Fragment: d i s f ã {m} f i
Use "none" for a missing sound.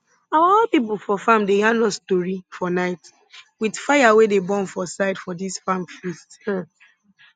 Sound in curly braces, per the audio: m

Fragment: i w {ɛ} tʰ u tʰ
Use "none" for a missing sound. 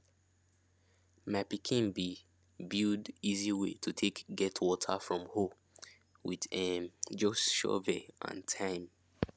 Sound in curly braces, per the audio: e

